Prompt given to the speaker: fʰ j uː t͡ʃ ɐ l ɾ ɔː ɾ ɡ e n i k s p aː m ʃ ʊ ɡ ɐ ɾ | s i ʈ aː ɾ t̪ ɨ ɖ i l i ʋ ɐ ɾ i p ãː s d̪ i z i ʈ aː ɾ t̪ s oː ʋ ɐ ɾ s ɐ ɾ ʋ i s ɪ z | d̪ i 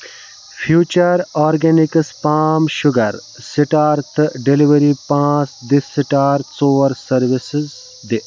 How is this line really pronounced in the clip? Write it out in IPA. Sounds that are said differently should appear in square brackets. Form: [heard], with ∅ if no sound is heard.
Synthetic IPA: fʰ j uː t͡ʃ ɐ [∅] ɾ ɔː ɾ ɡ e n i k s p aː m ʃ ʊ ɡ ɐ ɾ | s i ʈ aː ɾ t̪ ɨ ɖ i l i ʋ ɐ ɾ i p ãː s d̪ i [s] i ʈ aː ɾ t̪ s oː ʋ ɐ ɾ s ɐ ɾ ʋ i s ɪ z | d̪ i